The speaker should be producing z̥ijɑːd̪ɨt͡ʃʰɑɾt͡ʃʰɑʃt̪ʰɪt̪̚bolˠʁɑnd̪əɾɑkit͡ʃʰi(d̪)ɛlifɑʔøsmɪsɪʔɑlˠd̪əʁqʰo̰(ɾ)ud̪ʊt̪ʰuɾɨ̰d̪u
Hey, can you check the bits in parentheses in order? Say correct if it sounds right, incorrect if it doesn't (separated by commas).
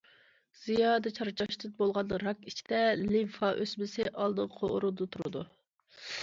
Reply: correct, correct